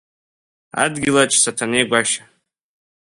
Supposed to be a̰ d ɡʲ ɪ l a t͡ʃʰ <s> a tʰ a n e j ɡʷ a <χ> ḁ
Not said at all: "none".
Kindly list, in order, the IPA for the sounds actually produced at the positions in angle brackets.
s, ʃ

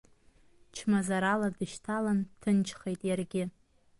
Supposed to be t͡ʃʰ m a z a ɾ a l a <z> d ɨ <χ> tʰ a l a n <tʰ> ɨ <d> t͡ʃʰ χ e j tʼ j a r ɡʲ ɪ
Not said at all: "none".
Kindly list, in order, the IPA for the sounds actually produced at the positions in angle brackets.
none, ʃ, tʰ, n

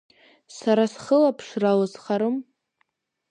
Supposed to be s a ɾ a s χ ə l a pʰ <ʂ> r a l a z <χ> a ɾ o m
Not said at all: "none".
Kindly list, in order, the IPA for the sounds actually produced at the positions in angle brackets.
ʂ, χ

